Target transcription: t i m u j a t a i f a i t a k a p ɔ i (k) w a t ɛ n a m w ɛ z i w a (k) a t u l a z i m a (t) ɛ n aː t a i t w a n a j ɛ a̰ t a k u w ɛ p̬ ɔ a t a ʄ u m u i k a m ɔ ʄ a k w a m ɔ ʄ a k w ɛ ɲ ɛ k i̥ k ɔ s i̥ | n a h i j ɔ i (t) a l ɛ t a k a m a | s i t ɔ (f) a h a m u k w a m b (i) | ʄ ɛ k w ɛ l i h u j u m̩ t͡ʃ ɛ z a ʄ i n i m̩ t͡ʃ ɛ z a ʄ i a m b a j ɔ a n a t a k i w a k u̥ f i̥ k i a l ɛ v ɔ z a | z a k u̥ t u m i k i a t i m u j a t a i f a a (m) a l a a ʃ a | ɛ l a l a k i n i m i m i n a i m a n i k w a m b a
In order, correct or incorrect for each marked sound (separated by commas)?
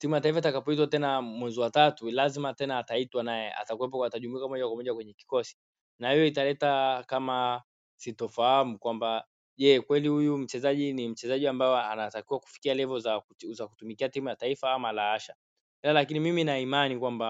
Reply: incorrect, incorrect, correct, correct, correct, incorrect, correct